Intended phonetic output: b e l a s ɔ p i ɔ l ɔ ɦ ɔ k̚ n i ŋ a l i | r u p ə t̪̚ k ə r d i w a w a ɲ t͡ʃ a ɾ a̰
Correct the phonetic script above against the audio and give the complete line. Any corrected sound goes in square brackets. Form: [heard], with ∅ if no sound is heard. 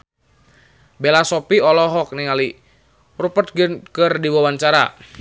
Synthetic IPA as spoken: b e l a s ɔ p i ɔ l ɔ ɦ ɔ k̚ n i ŋ a l i | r u p ə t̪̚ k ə r d i w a w a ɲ t͡ʃ a ɾ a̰